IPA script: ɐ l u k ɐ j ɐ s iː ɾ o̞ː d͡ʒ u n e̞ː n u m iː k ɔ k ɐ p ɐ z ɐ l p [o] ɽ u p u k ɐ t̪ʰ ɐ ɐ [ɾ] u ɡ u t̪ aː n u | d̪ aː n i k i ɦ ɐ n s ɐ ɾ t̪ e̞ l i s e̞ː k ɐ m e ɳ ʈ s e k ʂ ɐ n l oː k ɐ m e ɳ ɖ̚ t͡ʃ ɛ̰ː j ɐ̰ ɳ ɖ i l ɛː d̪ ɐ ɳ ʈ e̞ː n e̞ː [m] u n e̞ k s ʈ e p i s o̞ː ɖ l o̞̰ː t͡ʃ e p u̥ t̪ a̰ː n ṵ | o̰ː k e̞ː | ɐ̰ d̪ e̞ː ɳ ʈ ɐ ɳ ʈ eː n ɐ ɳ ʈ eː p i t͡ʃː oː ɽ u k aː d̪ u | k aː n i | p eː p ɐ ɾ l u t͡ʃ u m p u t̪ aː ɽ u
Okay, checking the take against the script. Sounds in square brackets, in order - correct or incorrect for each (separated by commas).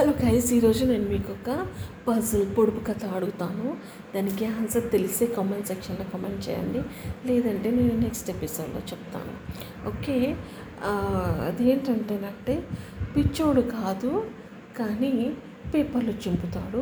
correct, incorrect, incorrect